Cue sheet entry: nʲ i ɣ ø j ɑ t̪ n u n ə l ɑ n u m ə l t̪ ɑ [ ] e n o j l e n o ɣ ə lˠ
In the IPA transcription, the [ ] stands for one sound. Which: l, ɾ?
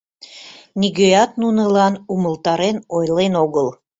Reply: ɾ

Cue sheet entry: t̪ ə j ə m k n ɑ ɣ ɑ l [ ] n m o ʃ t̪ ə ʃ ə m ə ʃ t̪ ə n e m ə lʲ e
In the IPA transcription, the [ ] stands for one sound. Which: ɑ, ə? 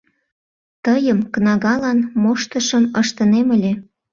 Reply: ɑ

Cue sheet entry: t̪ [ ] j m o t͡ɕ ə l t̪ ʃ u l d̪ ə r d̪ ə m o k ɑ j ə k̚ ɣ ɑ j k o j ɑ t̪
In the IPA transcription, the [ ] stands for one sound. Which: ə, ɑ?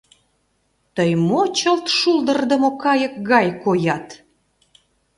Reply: ə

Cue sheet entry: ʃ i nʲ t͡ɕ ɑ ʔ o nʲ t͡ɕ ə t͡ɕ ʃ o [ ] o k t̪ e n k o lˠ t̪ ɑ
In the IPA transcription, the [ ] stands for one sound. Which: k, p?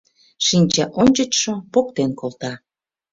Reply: p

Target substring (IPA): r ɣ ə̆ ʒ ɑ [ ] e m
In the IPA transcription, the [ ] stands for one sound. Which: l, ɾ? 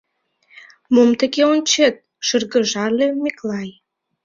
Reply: l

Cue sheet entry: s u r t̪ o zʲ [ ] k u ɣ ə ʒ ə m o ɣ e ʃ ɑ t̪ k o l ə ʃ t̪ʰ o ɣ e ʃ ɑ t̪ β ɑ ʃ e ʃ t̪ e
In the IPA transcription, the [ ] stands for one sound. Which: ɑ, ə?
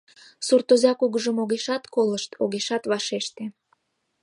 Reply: ɑ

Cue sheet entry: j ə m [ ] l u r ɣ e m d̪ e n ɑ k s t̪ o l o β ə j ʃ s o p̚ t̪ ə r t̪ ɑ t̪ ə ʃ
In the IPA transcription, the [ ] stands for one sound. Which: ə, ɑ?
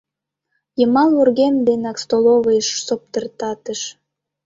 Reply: ɑ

